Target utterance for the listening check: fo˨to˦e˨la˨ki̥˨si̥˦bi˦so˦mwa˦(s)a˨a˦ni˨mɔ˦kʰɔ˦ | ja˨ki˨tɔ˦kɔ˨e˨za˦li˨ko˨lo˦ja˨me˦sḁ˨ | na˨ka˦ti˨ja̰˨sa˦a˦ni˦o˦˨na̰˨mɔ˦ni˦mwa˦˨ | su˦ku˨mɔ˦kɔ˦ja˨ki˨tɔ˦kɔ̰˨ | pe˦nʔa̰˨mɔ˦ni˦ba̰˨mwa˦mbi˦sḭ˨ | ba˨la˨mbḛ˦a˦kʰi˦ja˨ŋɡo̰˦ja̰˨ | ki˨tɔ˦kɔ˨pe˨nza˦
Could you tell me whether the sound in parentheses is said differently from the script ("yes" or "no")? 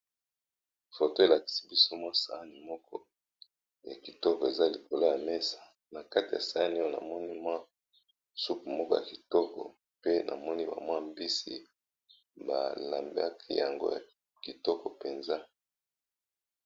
no